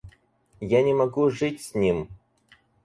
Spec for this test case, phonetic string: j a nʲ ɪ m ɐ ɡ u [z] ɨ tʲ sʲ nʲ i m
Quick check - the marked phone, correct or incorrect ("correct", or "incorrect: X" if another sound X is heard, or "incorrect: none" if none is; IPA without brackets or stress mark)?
incorrect: ʐ